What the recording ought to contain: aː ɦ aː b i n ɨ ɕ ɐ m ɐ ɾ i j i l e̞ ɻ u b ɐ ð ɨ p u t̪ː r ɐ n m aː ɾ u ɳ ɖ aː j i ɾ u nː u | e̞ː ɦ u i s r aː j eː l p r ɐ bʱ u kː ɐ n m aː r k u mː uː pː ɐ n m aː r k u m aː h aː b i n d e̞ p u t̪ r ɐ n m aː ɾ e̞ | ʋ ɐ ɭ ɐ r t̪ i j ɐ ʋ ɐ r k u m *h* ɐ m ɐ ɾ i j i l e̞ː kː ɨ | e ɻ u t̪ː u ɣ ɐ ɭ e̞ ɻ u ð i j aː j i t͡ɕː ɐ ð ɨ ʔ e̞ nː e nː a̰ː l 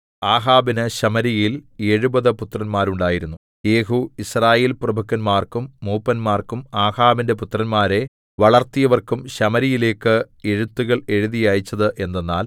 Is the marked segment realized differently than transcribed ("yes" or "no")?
yes